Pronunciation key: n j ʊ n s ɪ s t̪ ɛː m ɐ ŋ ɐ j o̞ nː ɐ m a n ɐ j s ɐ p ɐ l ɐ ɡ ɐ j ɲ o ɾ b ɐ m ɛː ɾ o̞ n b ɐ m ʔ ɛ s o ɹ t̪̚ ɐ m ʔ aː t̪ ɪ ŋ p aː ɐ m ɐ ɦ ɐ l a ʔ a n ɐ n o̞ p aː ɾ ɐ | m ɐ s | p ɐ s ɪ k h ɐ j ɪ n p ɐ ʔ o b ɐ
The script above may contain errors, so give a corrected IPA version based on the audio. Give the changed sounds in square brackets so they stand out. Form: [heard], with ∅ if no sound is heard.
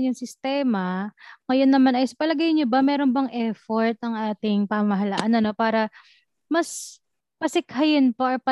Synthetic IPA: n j ʊ [ŋ] s ɪ s t̪ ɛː m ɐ ŋ ɐ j o̞ nː ɐ m a n ɐ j s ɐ p ɐ l ɐ ɡ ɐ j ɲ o [∅] b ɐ m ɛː ɾ o̞ n b ɐ [ŋ] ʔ ɛ [f] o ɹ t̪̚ ɐ [ŋ] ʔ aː t̪ ɪ ŋ p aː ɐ m ɐ ɦ ɐ l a ʔ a n ɐ n o̞ p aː ɾ ɐ | m ɐ s | p ɐ s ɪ k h ɐ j ɪ n p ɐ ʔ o [p] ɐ